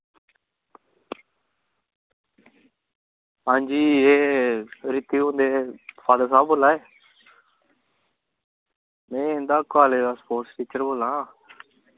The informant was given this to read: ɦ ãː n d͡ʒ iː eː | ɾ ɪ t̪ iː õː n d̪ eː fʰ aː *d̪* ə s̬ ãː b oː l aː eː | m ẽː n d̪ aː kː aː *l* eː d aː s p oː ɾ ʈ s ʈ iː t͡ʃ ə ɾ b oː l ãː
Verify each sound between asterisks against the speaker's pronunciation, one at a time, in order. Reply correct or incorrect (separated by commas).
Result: correct, correct